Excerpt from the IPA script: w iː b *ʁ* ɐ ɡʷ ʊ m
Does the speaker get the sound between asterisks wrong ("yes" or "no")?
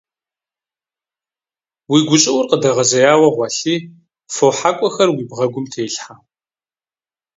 no